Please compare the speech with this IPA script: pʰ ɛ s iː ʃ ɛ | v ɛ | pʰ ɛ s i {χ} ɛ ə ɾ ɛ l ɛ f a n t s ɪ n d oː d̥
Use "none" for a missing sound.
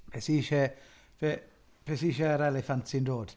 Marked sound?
ʃ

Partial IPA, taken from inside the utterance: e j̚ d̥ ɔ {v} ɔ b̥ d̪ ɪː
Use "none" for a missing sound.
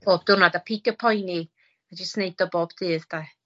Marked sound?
b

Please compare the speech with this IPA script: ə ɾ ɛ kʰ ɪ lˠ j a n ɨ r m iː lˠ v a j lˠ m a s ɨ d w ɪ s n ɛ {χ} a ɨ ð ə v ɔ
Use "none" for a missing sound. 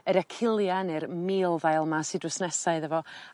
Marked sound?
s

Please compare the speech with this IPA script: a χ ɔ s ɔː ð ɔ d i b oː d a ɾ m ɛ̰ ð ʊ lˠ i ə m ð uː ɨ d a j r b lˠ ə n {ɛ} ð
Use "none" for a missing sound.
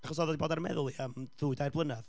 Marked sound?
a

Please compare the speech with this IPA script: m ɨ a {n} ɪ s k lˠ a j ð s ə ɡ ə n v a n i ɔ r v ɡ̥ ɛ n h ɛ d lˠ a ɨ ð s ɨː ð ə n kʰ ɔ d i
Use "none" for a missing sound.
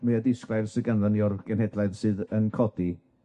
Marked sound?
d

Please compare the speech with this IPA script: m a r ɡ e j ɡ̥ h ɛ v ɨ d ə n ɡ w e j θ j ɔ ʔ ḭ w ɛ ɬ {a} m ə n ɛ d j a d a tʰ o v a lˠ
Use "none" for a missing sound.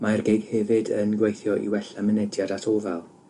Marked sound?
a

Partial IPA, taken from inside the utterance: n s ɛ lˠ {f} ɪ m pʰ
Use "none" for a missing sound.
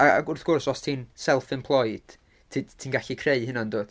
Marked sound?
f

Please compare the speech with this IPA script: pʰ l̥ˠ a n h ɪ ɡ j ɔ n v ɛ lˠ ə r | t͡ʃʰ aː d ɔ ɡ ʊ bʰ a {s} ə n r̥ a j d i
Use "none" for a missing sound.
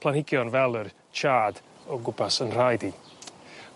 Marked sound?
s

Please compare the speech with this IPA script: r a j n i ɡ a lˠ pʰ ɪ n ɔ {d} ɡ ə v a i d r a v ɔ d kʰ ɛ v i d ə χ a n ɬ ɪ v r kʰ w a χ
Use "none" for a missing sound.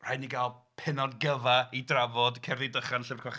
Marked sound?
d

